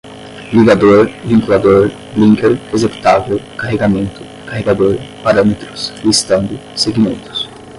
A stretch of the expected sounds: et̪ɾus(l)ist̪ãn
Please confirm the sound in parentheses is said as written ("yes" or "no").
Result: yes